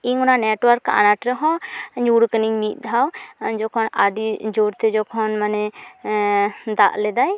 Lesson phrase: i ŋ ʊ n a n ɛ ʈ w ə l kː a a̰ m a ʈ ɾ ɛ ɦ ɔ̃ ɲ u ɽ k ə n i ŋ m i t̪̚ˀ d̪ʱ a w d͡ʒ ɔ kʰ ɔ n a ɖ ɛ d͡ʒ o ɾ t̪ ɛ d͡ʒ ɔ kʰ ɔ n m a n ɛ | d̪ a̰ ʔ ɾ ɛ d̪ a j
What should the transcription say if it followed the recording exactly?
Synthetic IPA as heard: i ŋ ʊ n a n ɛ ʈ w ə ɾ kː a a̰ n a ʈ ɾ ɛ ɦ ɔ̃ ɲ u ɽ k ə n i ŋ m i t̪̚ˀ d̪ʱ a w d͡ʒ ɔ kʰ ɔ n a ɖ i d͡ʒ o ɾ t̪ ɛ d͡ʒ ɔ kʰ ɔ n m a n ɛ | d̪ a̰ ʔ l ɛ d̪ a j